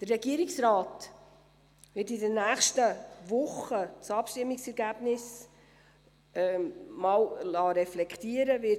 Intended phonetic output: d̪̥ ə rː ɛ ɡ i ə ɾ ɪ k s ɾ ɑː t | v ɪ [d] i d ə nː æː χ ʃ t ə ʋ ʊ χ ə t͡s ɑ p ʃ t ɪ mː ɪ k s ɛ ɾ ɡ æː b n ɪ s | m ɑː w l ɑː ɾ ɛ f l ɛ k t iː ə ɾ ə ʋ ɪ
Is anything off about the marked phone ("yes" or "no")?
yes